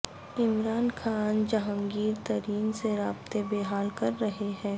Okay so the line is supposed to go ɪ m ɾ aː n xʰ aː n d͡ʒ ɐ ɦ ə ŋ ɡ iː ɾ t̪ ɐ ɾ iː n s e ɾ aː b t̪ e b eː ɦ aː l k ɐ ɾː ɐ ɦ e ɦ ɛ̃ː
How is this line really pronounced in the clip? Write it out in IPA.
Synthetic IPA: ɪ m ɾ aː n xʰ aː n d͡ʒ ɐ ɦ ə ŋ ɡ iː ɾ t̪ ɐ ɾ iː n s e ɾ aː b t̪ e b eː ɦ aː l k ɐ ɾː ɐ ɦ e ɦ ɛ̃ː